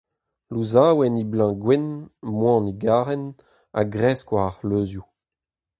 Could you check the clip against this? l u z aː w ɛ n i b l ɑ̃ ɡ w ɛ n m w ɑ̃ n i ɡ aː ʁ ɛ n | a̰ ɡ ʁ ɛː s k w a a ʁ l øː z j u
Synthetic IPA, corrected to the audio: l u z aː w ɛ n i b l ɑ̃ ɡ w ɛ n m w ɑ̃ n i ɡ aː ʁ ɛ n | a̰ ɡ ʁ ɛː s k w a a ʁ l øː z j u